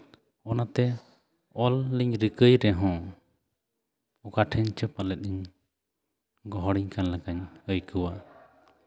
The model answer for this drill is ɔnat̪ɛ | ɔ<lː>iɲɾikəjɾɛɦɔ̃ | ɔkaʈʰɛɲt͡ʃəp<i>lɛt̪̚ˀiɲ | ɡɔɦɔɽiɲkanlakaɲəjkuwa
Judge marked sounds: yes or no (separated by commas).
yes, no